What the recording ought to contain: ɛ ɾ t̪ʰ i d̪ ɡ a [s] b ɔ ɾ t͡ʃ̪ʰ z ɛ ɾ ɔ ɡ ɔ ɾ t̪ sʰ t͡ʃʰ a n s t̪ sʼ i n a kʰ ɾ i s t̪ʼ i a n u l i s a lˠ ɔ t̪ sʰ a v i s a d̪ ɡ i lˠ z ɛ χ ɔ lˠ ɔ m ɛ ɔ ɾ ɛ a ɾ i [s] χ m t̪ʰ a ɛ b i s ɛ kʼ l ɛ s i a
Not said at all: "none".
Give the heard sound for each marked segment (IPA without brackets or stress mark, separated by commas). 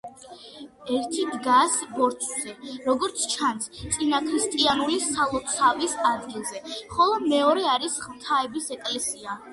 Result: s, s